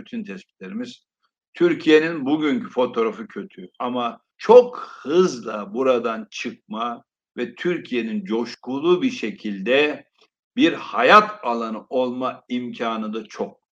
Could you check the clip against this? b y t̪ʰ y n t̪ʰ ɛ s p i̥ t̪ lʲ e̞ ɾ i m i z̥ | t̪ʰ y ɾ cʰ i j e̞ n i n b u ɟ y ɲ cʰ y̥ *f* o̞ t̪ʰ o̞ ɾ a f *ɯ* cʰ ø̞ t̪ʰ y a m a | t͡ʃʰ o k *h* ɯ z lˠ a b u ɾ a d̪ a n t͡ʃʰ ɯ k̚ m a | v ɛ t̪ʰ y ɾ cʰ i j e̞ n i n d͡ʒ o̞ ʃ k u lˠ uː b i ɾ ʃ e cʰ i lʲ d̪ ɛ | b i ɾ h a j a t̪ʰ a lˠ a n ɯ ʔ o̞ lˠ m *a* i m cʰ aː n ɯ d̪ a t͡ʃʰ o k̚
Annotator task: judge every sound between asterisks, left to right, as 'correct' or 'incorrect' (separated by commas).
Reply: correct, correct, correct, correct